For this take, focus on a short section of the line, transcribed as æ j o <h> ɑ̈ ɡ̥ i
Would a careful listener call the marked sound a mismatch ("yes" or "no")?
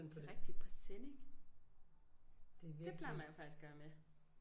yes